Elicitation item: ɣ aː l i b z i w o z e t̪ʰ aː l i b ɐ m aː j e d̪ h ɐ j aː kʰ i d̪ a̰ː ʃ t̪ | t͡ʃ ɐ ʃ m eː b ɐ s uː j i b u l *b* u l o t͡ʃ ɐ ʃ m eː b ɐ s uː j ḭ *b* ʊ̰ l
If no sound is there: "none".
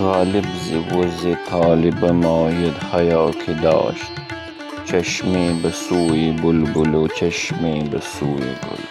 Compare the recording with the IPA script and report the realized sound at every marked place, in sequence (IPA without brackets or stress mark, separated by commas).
b, b